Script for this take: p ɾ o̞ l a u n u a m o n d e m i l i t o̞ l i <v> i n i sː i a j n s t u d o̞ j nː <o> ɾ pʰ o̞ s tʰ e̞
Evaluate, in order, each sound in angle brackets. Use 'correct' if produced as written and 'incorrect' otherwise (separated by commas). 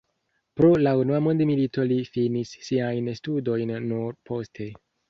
incorrect, incorrect